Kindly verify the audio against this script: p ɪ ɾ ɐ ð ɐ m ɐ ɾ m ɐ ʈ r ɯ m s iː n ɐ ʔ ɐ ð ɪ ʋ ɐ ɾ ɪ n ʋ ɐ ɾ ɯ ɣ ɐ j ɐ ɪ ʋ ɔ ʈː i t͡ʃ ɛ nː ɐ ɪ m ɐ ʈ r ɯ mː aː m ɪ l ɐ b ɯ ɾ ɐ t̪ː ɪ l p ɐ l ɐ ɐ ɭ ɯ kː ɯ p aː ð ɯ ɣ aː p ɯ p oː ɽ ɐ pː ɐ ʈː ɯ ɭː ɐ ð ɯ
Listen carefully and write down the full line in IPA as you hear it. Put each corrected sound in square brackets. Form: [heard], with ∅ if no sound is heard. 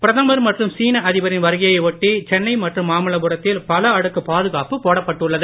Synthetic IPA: p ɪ ɾ ɐ ð ɐ m ɐ ɾ m ɐ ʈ r ɯ m s iː n ɐ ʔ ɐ ð ɪ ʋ ɐ ɾ ɪ n ʋ ɐ ɾ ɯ ɣ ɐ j ɐ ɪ ʋ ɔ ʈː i t͡ʃ ɛ nː ɐ ɪ m ɐ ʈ r ɯ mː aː m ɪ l ɐ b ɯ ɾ ɐ t̪ː ɪ l p ɐ l ɐ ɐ [ɽ] ɯ kː ɯ p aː ð ɯ ɣ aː p ɯ p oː ɽ ɐ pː ɐ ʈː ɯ ɭː ɐ ð ɯ

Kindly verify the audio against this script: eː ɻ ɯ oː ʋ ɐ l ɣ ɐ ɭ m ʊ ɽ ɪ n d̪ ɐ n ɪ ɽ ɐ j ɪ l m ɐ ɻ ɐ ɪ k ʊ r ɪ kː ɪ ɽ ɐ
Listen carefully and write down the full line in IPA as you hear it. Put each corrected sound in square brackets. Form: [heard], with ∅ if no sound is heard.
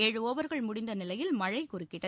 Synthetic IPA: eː ɻ ɯ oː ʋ ɐ [ɾ] ɣ ɐ ɭ m ʊ ɽ ɪ n d̪ ɐ n ɪ [l] ɐ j ɪ l m ɐ ɻ ɐ ɪ k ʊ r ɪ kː ɪ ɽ ɐ

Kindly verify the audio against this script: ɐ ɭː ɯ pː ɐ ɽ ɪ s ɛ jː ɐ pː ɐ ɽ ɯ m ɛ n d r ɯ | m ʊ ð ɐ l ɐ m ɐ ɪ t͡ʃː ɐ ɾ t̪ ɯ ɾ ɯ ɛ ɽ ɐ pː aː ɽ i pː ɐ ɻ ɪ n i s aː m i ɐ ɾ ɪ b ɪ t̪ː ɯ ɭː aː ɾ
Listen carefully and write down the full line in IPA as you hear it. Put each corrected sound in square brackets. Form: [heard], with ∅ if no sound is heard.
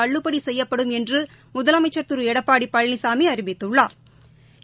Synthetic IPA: ɐ ɭː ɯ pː ɐ ɽ [i] s ɛ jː ɐ pː ɐ ɽ ɯ m ɛ n d r ɯ | m ʊ ð ɐ l ɐ m ɐ ɪ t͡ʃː ɐ ɾ t̪ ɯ ɾ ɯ ɛ ɽ ɐ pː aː ɽ i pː ɐ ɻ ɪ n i s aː m i ɐ ɾ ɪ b ɪ t̪ː ɯ ɭː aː ɾ

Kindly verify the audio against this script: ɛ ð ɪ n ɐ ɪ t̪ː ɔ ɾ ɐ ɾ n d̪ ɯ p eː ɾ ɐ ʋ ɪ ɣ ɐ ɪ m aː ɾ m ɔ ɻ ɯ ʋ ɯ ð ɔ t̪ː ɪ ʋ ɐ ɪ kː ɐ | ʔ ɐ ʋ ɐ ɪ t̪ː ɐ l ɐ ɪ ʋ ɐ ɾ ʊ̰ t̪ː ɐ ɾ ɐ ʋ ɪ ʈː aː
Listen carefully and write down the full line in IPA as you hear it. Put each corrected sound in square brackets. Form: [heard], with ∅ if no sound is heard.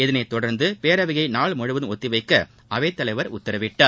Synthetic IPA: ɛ ð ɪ n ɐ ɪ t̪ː ɔ [ɽ] ɐ ɾ n d̪ ɯ p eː ɾ ɐ ʋ ɪ ɣ ɐ ɪ [n] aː [ɭ] m ɔ ɻ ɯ ʋ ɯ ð ɔ t̪ː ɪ ʋ ɐ ɪ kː ɐ | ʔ ɐ ʋ ɐ ɪ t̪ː ɐ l ɐ ɪ ʋ ɐ ɾ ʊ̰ t̪ː ɐ ɾ ɐ ʋ ɪ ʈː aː

